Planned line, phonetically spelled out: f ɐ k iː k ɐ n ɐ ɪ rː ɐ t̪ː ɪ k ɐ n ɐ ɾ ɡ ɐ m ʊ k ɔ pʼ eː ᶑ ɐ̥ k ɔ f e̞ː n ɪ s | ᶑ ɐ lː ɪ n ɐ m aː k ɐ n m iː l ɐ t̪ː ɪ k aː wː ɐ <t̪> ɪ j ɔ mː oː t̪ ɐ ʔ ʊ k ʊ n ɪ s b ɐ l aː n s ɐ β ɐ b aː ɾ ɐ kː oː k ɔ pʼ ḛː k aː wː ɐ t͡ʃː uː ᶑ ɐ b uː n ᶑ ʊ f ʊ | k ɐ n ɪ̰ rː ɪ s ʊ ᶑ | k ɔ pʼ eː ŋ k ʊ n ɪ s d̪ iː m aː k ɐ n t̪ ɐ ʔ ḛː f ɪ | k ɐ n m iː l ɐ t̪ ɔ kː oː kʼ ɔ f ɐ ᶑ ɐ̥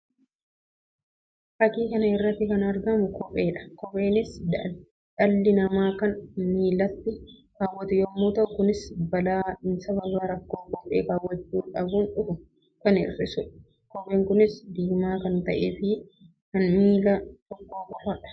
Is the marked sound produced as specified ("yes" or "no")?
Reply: yes